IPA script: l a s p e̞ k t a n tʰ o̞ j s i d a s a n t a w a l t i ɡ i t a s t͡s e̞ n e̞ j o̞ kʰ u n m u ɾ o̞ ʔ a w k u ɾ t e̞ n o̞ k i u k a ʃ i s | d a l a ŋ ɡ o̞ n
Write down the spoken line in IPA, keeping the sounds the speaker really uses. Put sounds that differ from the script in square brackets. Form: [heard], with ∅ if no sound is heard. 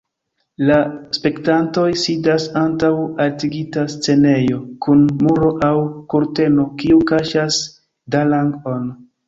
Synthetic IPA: l a s p e̞ k t a n [t] o̞ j s i d a s a n t a w a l t i ɡ i t a s t͡s e̞ n e̞ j o̞ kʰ u n m u ɾ o̞ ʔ a w k u ɾ t e̞ n o̞ k i u k a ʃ [a] s | d a l a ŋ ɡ o̞ n